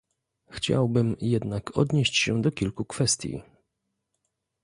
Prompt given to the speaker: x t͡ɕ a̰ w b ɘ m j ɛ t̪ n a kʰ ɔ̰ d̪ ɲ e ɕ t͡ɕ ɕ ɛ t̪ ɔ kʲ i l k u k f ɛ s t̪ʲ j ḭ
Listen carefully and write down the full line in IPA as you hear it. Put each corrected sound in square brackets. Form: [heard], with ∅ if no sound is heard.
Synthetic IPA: x t͡ɕ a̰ w b ɘ m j ɛ [d̪] n a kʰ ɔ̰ d̪ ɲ e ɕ t͡ɕ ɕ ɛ [d̪] ɔ kʲ i l k u k f ɛ s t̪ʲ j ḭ

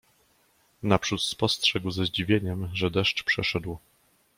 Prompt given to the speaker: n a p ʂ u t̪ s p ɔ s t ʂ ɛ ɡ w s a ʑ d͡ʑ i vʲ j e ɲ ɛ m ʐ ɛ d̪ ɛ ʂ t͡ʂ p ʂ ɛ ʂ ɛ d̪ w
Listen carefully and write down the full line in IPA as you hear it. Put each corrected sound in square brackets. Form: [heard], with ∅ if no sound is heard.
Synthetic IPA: n a p ʂ u t̪ s p ɔ s t ʂ ɛ ɡ w [z] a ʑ d͡ʑ i vʲ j e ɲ ɛ m ʐ ɛ d̪ ɛ ʂ t͡ʂ p ʂ ɛ ʂ ɛ d̪ w

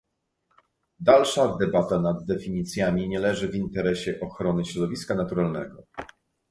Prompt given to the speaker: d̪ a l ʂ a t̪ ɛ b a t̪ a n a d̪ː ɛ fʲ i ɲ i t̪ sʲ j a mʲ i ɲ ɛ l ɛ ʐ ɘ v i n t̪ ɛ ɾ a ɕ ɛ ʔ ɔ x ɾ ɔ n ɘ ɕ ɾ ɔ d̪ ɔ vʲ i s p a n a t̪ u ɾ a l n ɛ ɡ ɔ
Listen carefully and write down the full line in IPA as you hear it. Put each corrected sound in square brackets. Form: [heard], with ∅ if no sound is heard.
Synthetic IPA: d̪ a l ʂ a [d̪] ɛ b a t̪ a n a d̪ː ɛ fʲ i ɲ i t̪ sʲ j a mʲ i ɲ ɛ l ɛ ʐ ɘ v i n t̪ ɛ ɾ [ɛ] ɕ ɛ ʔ ɔ x ɾ ɔ n ɘ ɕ ɾ ɔ d̪ ɔ vʲ i s [k] a n a t̪ u ɾ a l n ɛ ɡ ɔ

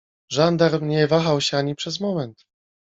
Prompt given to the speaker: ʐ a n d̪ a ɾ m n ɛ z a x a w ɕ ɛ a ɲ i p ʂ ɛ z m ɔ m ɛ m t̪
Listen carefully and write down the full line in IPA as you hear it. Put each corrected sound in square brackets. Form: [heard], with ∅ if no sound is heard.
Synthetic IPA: ʐ a n d̪ a ɾ m [ɲ] ɛ [v] a x a w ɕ ɛ a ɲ i p ʂ ɛ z m ɔ m ɛ [n] t̪

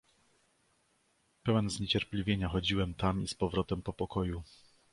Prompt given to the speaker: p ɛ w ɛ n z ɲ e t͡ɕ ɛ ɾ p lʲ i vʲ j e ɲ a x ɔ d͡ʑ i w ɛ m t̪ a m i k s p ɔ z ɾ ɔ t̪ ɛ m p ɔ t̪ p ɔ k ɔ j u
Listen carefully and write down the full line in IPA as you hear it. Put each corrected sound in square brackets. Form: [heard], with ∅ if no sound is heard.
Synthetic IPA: p ɛ w ɛ n z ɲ e t͡ɕ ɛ ɾ p lʲ i vʲ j e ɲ a x ɔ d͡ʑ i w ɛ m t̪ a m i [∅] s p ɔ [v] ɾ ɔ t̪ ɛ m p ɔ [∅] p ɔ k ɔ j u

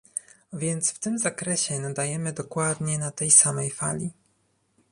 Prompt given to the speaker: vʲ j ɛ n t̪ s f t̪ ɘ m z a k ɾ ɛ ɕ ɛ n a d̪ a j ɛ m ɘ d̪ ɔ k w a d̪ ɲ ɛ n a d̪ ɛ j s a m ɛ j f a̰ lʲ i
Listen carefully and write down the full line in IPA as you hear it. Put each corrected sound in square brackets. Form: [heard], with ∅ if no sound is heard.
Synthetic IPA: vʲ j ɛ n t̪ s f t̪ ɘ m z a k ɾ ɛ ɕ ɛ n a d̪ a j ɛ m ɘ d̪ ɔ k w a d̪ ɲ ɛ n a [t̪] ɛ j s a m ɛ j f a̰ lʲ i

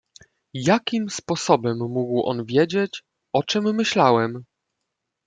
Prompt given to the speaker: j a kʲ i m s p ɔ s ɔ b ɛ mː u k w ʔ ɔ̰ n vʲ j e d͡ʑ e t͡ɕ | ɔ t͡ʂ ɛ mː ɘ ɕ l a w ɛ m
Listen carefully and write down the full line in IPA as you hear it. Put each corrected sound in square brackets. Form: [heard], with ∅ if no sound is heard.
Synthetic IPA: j a kʲ i m s p ɔ s ɔ b ɛ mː u [ɡ] w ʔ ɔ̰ n vʲ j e d͡ʑ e t͡ɕ | ɔ t͡ʂ ɛ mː ɘ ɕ l a w ɛ m

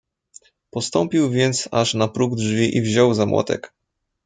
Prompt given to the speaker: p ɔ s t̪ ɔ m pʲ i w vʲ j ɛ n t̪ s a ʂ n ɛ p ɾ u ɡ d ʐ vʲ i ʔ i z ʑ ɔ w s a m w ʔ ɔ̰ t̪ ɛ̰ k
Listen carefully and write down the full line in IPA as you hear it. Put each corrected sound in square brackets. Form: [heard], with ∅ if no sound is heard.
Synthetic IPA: p ɔ s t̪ ɔ m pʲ i w vʲ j ɛ n t̪ s a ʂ n [a] p ɾ u ɡ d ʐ vʲ i ʔ i [v] ʑ ɔ w [z] a m w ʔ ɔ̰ t̪ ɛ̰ k

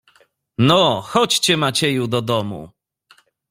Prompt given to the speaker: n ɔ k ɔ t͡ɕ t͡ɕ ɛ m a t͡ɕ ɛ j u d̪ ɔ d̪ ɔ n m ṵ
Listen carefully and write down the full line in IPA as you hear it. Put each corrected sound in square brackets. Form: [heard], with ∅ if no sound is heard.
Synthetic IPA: n ɔ [x] ɔ t͡ɕ t͡ɕ ɛ m a t͡ɕ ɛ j u d̪ ɔ d̪ ɔ [∅] m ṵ

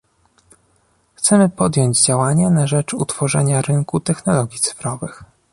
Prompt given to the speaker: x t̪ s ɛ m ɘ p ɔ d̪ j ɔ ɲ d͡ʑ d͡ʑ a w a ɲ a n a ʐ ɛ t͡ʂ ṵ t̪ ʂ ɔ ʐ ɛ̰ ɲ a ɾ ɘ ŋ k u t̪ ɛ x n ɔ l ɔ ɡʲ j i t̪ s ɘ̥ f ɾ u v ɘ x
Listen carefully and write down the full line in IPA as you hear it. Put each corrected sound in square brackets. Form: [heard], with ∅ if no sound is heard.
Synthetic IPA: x t̪ s ɛ m ɘ p ɔ d̪ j ɔ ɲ d͡ʑ d͡ʑ a w a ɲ a n a ʐ ɛ t͡ʂ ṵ t̪ [f] ɔ ʐ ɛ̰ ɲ a ɾ ɘ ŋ k u t̪ ɛ x n ɔ l ɔ ɡʲ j i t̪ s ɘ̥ f ɾ [ɔ] v ɘ x

